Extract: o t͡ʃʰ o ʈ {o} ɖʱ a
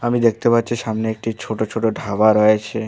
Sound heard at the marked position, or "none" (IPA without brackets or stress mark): o